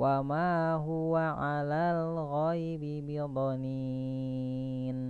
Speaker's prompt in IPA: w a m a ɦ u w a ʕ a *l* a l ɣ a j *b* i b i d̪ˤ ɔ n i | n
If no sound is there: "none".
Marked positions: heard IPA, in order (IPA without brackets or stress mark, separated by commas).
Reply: l, b